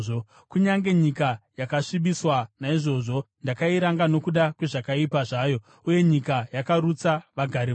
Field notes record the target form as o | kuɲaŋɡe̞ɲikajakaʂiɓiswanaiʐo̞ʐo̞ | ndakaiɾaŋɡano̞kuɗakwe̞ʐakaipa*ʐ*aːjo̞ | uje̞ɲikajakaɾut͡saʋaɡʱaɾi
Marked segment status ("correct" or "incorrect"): correct